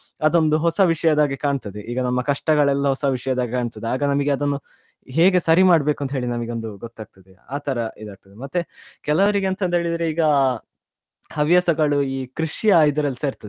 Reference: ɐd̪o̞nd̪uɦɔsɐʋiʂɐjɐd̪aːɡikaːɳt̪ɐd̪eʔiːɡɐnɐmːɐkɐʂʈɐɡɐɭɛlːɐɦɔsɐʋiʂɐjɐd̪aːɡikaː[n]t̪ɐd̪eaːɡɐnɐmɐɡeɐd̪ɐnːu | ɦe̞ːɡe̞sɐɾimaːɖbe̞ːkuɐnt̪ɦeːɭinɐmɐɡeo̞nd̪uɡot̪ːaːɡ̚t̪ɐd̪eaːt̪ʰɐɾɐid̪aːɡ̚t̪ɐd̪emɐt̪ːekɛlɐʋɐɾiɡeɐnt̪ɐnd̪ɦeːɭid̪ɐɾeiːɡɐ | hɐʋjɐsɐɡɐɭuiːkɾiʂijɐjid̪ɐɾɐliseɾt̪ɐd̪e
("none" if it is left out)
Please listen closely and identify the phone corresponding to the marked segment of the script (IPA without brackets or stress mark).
ɳ